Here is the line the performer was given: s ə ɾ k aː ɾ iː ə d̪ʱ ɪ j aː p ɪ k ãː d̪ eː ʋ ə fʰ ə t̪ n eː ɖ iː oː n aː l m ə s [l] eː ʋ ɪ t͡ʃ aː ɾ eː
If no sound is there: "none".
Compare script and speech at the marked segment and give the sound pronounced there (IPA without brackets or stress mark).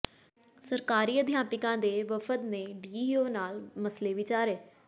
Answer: l